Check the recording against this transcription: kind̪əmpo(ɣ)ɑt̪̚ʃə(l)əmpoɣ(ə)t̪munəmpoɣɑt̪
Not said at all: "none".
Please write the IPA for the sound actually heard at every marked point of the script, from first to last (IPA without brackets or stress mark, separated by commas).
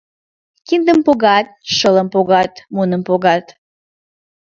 ɣ, l, ɑ